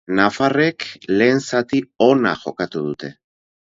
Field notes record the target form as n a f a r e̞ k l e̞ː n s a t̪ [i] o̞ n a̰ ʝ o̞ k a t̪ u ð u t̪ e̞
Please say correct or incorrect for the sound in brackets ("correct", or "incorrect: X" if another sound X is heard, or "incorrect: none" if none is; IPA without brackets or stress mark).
correct